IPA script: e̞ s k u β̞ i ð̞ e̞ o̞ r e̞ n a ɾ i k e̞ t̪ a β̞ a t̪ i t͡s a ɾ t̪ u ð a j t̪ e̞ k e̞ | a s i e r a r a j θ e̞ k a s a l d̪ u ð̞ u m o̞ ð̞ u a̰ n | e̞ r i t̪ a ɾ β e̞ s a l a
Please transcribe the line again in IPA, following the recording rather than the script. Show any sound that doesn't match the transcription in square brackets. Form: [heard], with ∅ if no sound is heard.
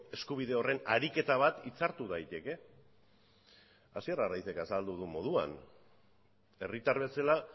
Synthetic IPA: e̞ s k u β̞ i ð̞ e̞ o̞ r e̞ n a ɾ i k e̞ t̪ a β̞ a t̪ i t͡s a ɾ t̪ u ð a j t̪ e̞ k e̞ | a s i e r a r a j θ e̞ k a s a l d̪ u ð̞ u m o̞ ð̞ u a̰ n | e̞ r i t̪ a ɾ β e̞ s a l a